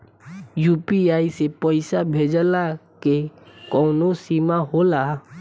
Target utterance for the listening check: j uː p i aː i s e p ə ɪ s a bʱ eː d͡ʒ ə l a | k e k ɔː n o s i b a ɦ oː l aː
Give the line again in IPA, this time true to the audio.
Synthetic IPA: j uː p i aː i s e p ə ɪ s a bʱ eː d͡ʒ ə l a | k e k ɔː n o s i m a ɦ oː l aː